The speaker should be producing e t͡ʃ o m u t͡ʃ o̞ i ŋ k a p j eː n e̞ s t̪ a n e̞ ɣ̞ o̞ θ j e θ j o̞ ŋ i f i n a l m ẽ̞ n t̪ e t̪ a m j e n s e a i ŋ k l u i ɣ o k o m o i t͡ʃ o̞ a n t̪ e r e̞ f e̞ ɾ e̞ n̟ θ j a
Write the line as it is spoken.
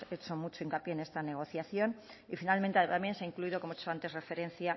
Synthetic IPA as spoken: e t͡ʃ o m u t͡ʃ o̞ i ŋ k a p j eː n e̞ s t̪ a n e̞ ɣ̞ o̞ θ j a θ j o̞ n i f i n a l m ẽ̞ n t̪ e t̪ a m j e n s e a i ŋ k l u i ð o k o m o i t͡ʃ o̞ a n t̪ e r e̞ f e̞ ɾ e̞ n̟ θ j a